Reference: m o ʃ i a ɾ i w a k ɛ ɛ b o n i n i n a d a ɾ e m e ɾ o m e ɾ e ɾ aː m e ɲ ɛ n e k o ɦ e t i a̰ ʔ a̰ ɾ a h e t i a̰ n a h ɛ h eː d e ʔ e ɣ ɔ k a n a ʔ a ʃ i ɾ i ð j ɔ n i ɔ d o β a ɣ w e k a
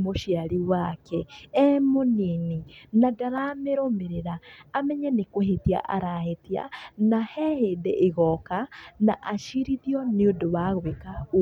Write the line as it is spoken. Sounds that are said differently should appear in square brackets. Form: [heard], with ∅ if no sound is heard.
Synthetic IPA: m o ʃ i a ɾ i w a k ɛ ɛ [m] o n i n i n a d a ɾ [a] m e ɾ o m e ɾ e ɾ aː m [ɛ] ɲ ɛ n e k o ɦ e t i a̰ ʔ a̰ ɾ a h e t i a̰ n a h ɛ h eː d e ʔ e ɣ ɔ k a n a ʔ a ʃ i ɾ i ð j ɔ n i [o] d o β a ɣ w e k a